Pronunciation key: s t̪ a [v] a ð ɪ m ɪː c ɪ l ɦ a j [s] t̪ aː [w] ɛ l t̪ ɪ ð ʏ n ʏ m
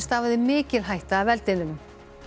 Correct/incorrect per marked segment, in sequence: correct, incorrect, incorrect

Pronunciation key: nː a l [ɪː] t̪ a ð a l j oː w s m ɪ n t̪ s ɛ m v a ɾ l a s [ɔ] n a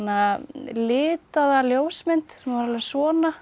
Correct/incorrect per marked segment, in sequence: correct, incorrect

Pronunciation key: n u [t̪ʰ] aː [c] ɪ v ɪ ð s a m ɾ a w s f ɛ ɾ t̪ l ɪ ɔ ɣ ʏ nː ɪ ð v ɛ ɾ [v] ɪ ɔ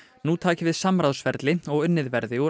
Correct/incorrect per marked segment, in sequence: correct, correct, incorrect

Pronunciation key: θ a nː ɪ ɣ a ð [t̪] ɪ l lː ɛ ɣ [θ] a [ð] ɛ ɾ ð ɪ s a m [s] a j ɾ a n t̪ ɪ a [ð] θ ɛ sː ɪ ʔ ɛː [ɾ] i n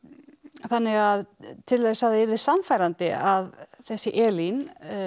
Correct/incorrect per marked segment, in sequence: incorrect, incorrect, correct, incorrect, correct, incorrect

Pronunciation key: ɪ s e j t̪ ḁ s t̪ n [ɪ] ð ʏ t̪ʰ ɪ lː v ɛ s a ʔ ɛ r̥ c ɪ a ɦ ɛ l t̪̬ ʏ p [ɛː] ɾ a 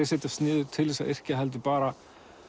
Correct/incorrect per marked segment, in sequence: incorrect, incorrect

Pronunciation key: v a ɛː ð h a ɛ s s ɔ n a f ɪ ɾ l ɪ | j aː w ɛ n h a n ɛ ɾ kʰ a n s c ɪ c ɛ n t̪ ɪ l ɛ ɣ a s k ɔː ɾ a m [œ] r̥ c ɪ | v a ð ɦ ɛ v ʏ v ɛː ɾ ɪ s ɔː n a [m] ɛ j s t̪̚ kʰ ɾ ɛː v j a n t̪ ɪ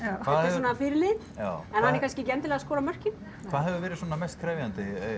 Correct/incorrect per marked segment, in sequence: correct, correct

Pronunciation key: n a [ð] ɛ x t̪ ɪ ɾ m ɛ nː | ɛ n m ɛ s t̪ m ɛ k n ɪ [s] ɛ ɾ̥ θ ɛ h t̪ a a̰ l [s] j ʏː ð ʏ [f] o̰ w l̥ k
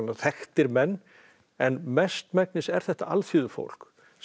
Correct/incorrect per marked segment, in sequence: incorrect, correct, incorrect, correct

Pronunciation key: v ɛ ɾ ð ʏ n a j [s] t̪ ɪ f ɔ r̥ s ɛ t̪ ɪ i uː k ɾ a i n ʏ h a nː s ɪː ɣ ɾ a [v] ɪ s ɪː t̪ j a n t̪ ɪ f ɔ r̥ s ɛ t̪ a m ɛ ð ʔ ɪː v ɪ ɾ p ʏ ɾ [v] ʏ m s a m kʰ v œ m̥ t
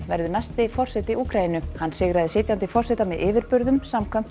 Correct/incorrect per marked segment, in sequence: correct, incorrect, incorrect

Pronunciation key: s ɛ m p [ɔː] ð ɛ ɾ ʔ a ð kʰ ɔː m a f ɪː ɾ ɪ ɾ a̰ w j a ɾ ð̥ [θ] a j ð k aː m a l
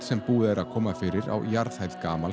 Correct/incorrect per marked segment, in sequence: incorrect, incorrect

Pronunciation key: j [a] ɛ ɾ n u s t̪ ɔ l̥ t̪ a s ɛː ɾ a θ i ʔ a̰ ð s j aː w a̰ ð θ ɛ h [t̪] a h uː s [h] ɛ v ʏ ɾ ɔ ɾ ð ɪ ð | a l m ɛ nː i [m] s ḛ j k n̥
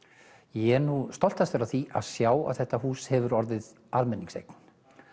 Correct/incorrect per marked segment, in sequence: incorrect, correct, correct, incorrect

